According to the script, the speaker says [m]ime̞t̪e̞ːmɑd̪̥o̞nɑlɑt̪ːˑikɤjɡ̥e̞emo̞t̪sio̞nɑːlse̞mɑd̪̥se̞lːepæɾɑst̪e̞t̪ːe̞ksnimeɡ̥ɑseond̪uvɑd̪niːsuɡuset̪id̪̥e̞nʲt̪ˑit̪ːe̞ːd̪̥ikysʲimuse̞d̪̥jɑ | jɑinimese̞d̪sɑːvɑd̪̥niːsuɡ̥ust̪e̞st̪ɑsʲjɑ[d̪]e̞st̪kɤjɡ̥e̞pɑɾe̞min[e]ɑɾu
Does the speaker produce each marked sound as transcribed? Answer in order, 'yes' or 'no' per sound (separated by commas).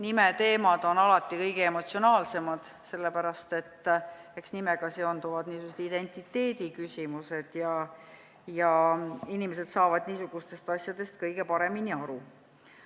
no, yes, no